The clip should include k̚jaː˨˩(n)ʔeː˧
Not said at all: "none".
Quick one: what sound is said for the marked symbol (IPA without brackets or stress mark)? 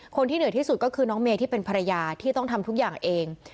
ŋ